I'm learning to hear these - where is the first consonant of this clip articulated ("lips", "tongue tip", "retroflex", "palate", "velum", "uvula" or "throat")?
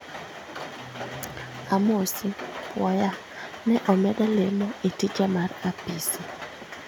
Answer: lips